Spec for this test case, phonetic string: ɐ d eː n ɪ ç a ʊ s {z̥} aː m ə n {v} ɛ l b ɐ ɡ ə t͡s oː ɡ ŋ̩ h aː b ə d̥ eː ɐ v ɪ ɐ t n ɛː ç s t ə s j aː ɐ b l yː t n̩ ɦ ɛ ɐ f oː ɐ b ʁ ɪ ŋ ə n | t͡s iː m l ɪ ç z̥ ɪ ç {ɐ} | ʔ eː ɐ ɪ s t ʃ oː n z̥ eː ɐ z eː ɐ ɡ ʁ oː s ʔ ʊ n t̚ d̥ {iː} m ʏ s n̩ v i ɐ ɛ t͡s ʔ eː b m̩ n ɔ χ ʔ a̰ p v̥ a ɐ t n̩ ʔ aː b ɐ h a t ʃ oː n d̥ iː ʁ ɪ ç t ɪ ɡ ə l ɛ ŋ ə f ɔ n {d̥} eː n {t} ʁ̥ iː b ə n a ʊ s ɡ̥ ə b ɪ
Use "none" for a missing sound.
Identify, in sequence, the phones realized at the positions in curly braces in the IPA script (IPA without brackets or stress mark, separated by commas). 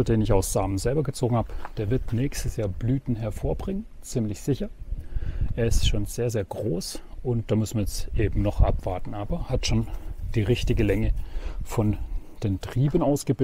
z̥, z, ɐ, aː, d̥, t